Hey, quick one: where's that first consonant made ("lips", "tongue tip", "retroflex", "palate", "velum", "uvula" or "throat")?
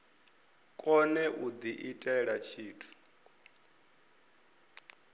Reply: velum